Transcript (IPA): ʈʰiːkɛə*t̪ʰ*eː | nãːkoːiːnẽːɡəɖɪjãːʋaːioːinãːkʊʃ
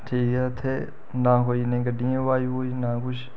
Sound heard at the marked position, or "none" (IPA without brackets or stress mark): t̪ʰ